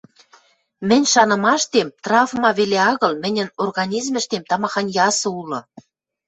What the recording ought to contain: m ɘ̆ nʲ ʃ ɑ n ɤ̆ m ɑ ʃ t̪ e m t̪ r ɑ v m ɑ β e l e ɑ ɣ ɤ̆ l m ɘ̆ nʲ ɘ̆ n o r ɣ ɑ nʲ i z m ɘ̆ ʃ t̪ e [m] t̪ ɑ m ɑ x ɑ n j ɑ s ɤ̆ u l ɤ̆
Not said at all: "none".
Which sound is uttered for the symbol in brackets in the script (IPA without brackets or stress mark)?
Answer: m